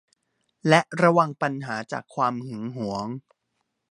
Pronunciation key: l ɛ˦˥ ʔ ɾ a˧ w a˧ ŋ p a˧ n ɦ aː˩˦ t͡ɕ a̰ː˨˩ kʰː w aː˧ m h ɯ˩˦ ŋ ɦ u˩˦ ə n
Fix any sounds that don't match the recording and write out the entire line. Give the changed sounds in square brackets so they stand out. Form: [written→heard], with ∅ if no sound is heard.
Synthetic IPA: l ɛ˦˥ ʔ ɾ a˧ w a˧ ŋ p a˧ n ɦ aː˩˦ t͡ɕ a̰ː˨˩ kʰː w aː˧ m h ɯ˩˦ ŋ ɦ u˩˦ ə [n→ŋ]